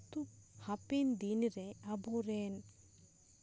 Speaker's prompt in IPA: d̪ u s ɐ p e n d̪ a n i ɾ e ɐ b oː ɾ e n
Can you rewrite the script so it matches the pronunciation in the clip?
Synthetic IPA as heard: t̪ u h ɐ p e n d̪ i n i ɾ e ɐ b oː ɾ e n